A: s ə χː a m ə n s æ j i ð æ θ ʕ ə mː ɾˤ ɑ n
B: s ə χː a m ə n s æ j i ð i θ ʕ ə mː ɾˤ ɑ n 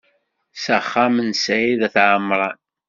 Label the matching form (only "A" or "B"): A